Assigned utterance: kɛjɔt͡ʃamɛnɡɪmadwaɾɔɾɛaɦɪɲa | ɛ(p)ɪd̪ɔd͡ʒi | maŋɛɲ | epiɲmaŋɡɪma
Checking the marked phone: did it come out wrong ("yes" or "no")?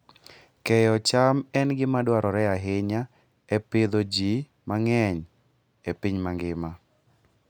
no